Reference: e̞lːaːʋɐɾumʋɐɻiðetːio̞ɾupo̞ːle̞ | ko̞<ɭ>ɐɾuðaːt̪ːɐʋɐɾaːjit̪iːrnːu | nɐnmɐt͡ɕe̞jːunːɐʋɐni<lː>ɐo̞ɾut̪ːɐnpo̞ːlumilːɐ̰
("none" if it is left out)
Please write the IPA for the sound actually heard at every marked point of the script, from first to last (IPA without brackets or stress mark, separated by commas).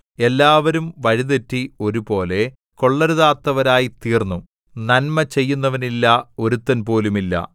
ɭː, lː